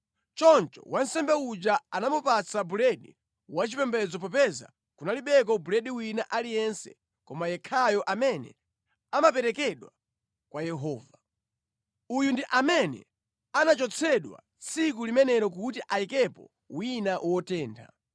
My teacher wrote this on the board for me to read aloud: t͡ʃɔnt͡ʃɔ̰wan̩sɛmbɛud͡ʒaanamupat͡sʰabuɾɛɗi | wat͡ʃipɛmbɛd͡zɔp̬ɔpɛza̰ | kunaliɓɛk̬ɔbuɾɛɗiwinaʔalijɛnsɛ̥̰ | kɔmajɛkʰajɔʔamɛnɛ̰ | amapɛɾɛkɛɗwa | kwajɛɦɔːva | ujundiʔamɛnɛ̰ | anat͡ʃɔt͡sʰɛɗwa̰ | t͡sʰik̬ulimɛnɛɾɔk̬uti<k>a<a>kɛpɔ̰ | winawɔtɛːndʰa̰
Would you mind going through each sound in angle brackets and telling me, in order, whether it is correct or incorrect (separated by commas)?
incorrect, incorrect